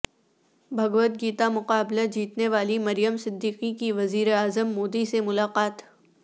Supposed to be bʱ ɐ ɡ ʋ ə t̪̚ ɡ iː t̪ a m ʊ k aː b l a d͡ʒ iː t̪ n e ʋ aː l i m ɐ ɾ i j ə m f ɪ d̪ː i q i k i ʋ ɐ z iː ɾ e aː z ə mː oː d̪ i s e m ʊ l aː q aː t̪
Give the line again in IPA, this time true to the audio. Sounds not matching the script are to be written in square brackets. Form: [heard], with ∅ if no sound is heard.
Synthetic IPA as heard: bʱ ɐ ɡ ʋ ə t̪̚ ɡ iː t̪ a m ʊ [q] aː b l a d͡ʒ iː t̪ n e ʋ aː l i m ɐ ɾ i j ə m [s] ɪ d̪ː [iː] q i k i ʋ ɐ z iː ɾ e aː z ə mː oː d̪ i s e m ʊ l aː q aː t̪